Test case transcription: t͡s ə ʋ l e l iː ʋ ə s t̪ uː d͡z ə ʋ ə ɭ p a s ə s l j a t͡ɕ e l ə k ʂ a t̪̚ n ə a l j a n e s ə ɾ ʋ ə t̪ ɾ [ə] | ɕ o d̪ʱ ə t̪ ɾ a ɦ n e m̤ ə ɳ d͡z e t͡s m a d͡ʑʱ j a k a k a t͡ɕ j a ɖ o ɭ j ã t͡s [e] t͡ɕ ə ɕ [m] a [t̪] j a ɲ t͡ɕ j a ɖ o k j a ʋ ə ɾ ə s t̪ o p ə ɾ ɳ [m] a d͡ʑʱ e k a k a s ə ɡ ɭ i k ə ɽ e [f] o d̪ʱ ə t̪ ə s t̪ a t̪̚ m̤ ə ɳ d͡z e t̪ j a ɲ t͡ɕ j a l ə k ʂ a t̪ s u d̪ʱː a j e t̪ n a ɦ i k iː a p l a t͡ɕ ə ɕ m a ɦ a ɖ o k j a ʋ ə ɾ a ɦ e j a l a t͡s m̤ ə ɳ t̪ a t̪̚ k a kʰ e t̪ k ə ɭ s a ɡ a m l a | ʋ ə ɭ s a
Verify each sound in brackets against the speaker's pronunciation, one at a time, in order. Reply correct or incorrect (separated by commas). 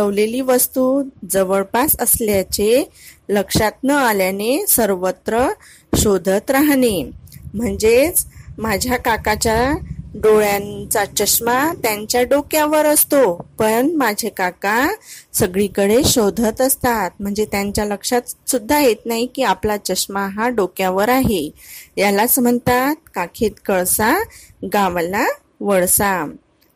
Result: correct, incorrect, correct, correct, correct, incorrect